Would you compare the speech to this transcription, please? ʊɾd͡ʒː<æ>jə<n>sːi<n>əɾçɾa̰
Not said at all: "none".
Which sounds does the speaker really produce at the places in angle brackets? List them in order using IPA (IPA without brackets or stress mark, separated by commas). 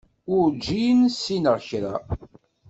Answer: i, n, n